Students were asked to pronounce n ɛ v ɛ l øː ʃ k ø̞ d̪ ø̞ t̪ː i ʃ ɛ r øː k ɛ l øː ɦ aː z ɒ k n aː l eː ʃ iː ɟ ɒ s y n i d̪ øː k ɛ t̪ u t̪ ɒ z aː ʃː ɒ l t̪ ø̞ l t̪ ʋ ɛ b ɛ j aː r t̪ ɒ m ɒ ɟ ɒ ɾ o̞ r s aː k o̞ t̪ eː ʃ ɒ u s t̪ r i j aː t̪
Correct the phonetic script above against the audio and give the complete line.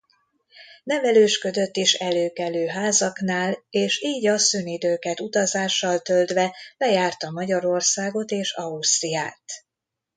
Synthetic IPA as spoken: n ɛ v ɛ l øː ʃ k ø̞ d̪ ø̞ t̪ː i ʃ ɛ l øː k ɛ l øː ɦ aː z ɒ k n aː l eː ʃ iː ɟ ɒ s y n i d̪ øː k ɛ t̪ u t̪ ɒ z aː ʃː ɒ l t̪ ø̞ l d̪ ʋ ɛ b ɛ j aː r t̪ ɒ m ɒ ɟ ɒ ɾ o̞ r s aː ɡ o̞ t̪ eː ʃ ɒ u s t̪ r i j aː t̪